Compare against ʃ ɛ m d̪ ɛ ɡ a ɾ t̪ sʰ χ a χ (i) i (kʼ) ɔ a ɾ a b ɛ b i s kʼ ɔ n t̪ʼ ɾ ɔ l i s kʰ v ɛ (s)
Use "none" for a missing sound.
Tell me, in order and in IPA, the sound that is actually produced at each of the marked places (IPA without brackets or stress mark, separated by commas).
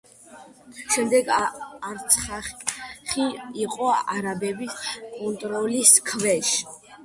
i, qʼ, ʃ